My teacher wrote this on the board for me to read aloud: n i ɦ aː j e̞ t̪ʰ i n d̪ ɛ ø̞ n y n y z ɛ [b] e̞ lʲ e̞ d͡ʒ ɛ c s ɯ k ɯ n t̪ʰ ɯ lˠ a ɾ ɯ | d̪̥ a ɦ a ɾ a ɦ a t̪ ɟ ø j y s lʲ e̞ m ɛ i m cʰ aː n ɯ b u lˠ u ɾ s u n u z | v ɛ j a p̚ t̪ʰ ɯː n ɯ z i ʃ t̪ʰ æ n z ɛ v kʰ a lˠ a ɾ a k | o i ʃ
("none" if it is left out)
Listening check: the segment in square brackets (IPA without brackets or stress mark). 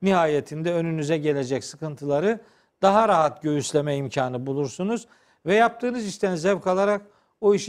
ɟ